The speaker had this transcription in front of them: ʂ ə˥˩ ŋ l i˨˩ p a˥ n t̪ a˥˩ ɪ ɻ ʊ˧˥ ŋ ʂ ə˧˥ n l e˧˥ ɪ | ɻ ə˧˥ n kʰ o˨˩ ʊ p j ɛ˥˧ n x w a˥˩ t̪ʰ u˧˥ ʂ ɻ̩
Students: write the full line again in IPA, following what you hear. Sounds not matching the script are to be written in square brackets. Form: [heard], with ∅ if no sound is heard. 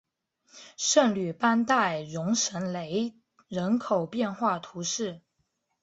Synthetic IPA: ʂ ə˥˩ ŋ l [y˨˩] p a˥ n t̪ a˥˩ ɪ ɻ ʊ˧˥ ŋ ʂ ə˧˥ n l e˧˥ ɪ | ɻ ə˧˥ n kʰ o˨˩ ʊ p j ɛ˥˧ n x w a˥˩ t̪ʰ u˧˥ ʂ ɻ̩